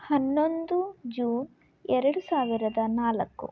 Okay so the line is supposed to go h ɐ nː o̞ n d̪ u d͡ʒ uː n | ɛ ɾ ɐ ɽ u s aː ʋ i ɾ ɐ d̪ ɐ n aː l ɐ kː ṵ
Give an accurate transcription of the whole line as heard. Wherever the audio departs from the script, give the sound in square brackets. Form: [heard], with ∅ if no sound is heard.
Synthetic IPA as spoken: h ɐ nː o̞ n d̪ u d͡ʒ uː n | ɛ ɾ ɐ ɽ u s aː ʋ i ɾ ɐ d̪ ɐ n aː l ɐ kː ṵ